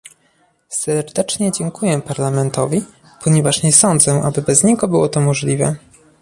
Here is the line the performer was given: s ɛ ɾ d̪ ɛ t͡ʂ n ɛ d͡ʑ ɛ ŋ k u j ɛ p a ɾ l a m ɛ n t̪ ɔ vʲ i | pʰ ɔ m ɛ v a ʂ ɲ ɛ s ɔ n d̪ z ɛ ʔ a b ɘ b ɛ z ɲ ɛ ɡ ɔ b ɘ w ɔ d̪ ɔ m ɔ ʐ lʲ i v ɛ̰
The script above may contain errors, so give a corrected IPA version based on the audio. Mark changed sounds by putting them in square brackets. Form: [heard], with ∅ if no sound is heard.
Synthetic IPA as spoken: s ɛ ɾ d̪ ɛ t͡ʂ [ɲ] ɛ d͡ʑ ɛ ŋ k u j ɛ p a ɾ l a m ɛ n t̪ ɔ vʲ i | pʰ ɔ [ɲ] ɛ v a ʂ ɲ ɛ s ɔ n d̪ z ɛ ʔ a b ɘ b ɛ z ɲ ɛ ɡ ɔ b ɘ w ɔ [t̪] ɔ m ɔ ʐ lʲ i v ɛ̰